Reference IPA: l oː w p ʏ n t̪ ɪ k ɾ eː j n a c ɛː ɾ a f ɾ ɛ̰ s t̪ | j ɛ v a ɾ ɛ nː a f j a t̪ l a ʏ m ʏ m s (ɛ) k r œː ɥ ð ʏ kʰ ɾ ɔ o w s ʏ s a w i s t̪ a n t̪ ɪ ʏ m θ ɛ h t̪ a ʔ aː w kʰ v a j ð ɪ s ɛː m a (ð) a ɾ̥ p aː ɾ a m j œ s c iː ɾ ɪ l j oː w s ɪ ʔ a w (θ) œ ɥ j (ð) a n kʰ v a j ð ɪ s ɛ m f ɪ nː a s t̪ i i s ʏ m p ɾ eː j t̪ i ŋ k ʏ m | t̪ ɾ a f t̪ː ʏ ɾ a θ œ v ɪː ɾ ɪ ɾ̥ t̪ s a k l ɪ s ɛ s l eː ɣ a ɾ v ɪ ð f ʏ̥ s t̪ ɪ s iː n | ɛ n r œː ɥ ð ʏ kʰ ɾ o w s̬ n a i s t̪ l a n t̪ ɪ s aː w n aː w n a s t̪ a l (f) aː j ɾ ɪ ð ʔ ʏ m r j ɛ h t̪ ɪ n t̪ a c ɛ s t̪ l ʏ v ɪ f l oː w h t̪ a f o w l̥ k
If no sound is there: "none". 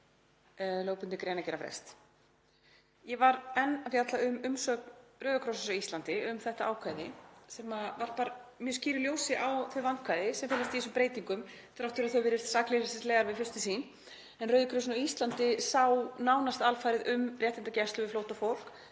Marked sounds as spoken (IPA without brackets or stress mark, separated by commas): œ, v, θ, v, f